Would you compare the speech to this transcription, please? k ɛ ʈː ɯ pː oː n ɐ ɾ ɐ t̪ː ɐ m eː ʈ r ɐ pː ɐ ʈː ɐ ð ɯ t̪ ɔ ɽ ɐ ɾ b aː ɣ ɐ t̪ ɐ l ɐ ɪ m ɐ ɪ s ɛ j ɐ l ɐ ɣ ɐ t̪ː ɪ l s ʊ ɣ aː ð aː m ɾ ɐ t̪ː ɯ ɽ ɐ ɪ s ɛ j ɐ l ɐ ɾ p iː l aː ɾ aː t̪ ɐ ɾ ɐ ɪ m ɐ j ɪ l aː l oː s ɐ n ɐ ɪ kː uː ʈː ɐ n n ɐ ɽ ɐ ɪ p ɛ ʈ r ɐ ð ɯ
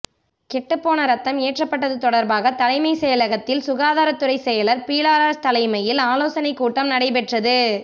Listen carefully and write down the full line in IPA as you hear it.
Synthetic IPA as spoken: k ɛ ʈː ɯ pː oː n ɐ ɾ ɐ t̪ː ɐ m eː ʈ r ɐ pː ɐ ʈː ɐ ð ɯ t̪ ɔ ɽ ɐ ɾ b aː ɣ ɐ t̪ ɐ l ɐ ɪ m ɐ ɪ s ɛ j ɐ l ɐ ɣ ɐ t̪ː ɪ l s ʊ ɣ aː ð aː ɾ ɐ t̪ː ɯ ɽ ɐ ɪ s ɛ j ɐ l ɐ ɾ p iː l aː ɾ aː t̪ ɐ l ɐ ɪ m ɐ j ɪ l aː l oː s ɐ n ɐ ɪ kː uː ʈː ɐ m n ɐ ɽ ɐ ɪ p ɛ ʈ r ɐ ð ɯ

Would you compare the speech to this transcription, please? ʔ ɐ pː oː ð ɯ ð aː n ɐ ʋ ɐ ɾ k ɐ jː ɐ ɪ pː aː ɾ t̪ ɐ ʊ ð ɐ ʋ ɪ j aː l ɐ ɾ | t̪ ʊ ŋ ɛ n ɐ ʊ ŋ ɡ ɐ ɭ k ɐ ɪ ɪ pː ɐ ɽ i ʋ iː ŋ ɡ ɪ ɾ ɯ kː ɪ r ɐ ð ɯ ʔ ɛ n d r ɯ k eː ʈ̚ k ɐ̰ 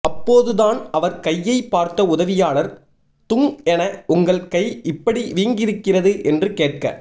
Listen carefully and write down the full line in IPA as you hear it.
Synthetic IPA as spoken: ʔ ɐ pː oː ð ɯ ð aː n ɐ ʋ ɐ ɾ k ɐ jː ɐ ɪ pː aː ɾ t̪ ɐ ʊ ð ɐ ʋ ɪ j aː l ɐ ɾ | t̪ ʊ ŋ ɛ n ɐ ʊ ŋ ɡ ɐ ɭ k ɐ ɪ ɪ pː ɐ ɽ i ʋ iː ŋ ɡ ɪ ɾ ɯ kː ɪ r ɐ ð ɯ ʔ ɛ n d r ɯ k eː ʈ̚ k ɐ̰

